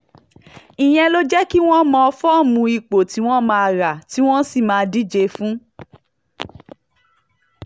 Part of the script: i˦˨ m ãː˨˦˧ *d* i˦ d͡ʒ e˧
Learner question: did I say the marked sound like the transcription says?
yes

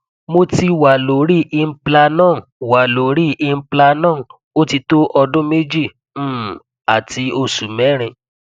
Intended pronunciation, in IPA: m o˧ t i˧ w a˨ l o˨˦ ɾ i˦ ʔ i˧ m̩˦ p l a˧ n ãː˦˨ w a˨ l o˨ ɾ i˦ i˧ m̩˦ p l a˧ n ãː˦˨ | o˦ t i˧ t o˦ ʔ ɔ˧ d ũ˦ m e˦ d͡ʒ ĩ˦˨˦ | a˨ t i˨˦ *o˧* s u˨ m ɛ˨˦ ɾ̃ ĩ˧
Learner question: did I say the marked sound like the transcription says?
yes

